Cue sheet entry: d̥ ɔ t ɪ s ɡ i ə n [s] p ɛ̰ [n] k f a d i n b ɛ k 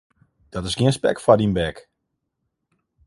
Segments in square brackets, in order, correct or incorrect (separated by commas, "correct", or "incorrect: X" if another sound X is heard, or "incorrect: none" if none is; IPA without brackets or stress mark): correct, incorrect: none